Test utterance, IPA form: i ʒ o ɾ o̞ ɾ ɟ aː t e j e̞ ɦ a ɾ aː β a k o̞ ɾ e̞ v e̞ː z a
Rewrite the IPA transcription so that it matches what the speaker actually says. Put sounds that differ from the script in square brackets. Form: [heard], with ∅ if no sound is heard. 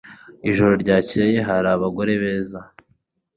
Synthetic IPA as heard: i ʒ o ɾ o̞ ɾ ɟ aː [c] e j e̞ ɦ a ɾ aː β a [ɡ] o̞ ɾ e̞ [β] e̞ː z a